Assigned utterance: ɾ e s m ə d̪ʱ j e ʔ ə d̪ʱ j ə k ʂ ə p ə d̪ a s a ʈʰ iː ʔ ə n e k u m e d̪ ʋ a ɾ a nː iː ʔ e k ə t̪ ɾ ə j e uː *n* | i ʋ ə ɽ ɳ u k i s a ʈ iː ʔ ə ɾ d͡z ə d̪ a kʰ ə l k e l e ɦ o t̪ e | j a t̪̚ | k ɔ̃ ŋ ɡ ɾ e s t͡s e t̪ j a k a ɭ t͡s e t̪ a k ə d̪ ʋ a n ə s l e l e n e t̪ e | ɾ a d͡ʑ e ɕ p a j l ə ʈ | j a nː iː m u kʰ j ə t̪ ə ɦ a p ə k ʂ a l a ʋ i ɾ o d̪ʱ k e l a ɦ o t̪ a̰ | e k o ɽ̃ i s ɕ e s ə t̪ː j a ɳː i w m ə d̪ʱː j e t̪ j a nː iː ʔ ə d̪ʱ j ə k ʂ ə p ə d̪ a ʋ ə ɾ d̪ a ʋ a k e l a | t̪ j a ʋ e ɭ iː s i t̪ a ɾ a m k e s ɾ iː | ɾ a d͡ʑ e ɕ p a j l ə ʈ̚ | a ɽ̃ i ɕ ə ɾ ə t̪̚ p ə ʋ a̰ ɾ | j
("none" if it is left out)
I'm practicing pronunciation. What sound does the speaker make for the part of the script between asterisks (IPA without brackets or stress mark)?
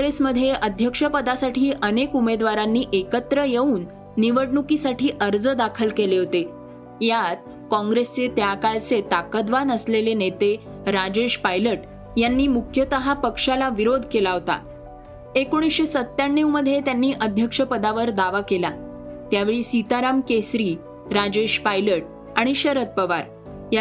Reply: nː